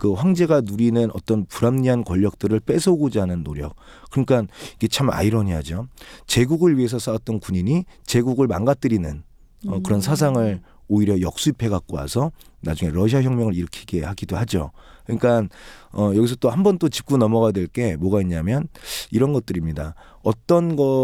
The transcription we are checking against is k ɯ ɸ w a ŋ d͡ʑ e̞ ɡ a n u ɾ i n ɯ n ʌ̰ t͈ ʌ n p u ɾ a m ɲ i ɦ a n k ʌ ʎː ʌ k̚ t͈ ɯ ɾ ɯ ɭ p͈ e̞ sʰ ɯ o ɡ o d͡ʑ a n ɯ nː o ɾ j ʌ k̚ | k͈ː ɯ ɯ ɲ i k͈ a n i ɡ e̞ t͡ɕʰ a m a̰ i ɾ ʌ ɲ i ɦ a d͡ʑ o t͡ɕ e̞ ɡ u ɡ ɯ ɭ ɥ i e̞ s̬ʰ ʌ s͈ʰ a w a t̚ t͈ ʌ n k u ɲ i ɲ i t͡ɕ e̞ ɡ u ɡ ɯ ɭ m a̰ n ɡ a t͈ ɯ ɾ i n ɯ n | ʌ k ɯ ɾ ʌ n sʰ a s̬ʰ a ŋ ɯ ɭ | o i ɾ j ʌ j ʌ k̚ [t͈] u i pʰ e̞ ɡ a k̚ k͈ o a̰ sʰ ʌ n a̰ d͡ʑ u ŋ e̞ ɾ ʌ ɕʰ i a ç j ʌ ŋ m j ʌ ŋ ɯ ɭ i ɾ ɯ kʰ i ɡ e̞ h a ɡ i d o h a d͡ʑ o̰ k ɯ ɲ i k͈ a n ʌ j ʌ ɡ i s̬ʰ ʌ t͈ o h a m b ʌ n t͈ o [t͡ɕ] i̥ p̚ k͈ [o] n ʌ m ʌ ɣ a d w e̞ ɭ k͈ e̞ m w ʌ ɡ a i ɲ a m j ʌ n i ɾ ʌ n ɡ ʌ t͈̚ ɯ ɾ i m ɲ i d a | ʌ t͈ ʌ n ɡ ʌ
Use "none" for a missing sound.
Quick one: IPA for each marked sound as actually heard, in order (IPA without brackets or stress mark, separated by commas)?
s͈, t͡ɕ, u